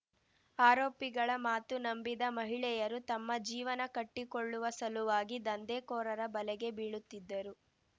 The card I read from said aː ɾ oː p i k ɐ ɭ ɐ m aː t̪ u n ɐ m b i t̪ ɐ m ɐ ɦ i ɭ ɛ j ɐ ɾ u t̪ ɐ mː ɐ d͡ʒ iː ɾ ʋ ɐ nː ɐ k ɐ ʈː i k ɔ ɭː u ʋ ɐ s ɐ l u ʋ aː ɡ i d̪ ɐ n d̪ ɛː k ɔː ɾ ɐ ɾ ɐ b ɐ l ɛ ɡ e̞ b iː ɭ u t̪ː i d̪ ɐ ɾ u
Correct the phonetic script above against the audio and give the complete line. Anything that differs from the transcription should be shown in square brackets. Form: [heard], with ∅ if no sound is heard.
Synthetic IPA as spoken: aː ɾ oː p i [ɡ] ɐ ɭ ɐ m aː t̪ u n ɐ m b i [d̪] ɐ m ɐ ɦ i ɭ ɛ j ɐ ɾ u t̪ ɐ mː ɐ d͡ʒ iː [∅] ʋ ɐ [n] ɐ k ɐ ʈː i k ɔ ɭː u ʋ ɐ s ɐ l u ʋ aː ɡ i d̪ ɐ n d̪ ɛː k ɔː ɾ ɐ ɾ ɐ b ɐ l ɛ ɡ e̞ b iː ɭ u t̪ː i [d̪ː] ɐ ɾ u